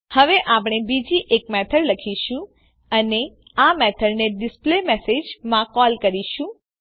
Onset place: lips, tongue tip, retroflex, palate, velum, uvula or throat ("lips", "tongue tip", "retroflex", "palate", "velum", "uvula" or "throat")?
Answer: throat